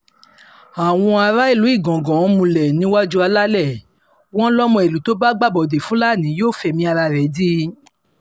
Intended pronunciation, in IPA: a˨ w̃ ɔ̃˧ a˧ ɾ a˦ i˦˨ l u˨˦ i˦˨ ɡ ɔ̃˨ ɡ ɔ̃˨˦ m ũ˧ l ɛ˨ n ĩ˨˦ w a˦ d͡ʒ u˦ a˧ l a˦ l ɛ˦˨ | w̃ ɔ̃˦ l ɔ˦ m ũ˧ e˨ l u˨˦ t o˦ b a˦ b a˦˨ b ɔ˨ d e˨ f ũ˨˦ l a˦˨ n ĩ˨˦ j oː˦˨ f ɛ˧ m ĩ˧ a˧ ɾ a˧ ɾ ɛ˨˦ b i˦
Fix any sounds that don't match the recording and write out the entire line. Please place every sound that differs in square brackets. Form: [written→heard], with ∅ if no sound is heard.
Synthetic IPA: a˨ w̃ ɔ̃˧ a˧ ɾ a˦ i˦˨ l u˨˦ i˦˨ ɡ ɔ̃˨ ɡ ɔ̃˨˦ m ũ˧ l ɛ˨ n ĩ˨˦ w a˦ d͡ʒ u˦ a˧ l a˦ l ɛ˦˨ | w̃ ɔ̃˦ l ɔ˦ m [ũ˧→ɔ̃˧] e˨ l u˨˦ t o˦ b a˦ [b→ɡ͡b] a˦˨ b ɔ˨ d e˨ f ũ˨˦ l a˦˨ n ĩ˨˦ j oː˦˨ f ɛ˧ m ĩ˧ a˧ ɾ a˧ ɾ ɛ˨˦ [b→d] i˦